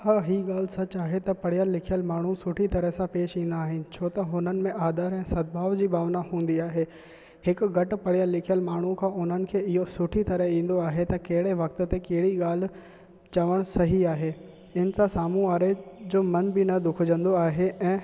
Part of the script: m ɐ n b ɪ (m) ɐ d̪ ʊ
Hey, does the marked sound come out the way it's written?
no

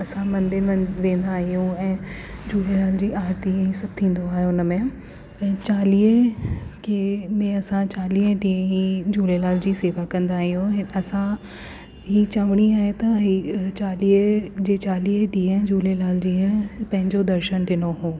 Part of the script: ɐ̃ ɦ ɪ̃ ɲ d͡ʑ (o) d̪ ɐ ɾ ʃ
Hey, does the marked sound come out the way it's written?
yes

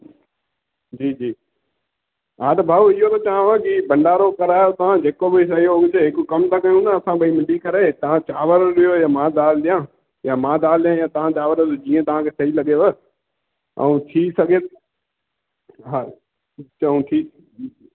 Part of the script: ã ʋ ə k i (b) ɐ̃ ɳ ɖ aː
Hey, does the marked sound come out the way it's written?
yes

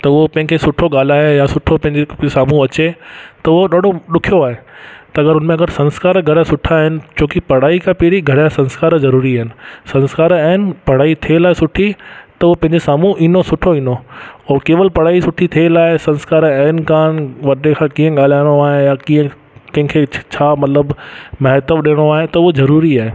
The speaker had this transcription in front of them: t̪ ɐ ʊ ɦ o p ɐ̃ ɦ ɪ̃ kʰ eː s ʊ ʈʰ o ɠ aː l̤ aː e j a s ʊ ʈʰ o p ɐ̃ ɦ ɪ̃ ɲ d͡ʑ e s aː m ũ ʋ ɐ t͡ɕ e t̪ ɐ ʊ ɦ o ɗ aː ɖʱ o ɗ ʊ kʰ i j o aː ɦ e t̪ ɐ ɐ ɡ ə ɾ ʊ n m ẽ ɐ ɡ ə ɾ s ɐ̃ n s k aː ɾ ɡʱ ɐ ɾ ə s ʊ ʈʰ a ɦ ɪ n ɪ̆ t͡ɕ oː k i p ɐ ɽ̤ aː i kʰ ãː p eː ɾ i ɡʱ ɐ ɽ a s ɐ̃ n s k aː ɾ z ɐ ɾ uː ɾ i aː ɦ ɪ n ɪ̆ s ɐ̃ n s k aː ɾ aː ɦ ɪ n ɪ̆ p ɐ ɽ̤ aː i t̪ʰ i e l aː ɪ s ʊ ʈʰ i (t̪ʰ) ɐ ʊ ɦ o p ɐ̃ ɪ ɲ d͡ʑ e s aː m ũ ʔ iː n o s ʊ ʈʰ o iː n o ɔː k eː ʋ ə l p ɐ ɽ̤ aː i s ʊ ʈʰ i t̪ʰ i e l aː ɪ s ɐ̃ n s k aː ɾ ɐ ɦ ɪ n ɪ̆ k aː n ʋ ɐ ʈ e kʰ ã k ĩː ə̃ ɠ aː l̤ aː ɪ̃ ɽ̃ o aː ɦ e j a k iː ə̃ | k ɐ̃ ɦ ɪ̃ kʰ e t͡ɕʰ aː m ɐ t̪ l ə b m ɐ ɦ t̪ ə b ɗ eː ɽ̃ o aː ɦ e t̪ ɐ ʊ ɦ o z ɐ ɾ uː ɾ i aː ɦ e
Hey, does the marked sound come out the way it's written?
no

